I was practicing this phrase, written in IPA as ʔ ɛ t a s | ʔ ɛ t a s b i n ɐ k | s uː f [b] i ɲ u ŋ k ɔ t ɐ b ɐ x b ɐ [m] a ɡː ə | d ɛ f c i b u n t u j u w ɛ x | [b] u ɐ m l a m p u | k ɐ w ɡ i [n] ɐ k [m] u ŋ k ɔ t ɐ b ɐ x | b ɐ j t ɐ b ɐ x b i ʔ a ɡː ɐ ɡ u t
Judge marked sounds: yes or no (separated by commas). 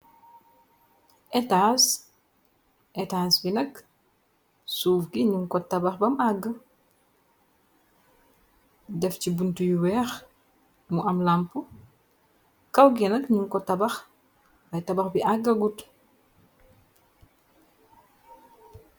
no, yes, no, yes, no